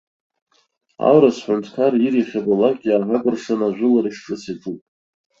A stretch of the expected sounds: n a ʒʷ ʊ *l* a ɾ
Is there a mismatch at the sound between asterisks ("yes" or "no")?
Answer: no